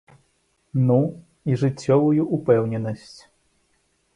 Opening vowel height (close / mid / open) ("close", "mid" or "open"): close